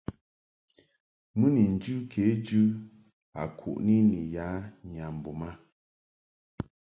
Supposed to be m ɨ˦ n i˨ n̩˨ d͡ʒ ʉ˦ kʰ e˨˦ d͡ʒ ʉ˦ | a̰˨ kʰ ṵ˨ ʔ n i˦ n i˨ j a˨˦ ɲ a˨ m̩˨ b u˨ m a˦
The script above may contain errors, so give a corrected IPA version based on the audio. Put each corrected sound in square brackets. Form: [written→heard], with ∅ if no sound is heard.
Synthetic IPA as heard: m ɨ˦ n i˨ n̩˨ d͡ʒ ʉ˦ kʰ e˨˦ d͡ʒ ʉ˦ | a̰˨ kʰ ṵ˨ ʔ n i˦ n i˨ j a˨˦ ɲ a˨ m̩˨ b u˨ m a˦